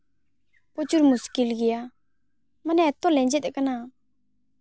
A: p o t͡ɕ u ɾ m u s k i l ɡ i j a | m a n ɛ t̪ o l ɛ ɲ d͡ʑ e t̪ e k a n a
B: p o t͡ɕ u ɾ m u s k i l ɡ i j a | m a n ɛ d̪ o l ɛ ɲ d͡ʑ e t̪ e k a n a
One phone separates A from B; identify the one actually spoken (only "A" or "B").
A